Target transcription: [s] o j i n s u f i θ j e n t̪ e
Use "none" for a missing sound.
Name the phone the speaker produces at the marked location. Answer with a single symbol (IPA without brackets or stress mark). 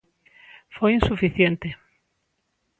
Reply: f